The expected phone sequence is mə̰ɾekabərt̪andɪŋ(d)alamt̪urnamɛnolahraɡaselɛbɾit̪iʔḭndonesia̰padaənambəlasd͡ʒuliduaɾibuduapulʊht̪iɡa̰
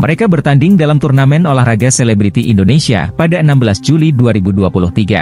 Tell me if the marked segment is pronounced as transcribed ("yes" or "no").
yes